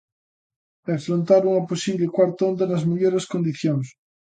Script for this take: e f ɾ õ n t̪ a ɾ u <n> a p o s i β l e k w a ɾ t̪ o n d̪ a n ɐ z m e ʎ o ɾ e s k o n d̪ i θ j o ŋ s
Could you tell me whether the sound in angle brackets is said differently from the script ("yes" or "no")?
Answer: yes